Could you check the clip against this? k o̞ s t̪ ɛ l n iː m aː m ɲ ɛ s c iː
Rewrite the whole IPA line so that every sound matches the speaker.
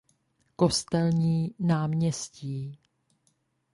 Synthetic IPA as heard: k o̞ s t̪ ɛ l ɲ iː n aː m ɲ ɛ s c iː